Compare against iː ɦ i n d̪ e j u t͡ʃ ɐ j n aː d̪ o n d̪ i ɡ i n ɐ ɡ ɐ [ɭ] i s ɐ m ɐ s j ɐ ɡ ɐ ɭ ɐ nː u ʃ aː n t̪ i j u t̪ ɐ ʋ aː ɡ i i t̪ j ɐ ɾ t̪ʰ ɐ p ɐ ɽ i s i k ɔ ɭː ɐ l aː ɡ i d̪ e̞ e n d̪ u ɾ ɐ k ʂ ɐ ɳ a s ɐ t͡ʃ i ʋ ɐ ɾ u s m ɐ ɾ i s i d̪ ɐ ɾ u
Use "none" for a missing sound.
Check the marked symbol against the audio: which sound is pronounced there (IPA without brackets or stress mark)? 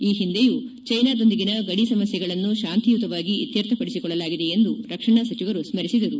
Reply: ɽ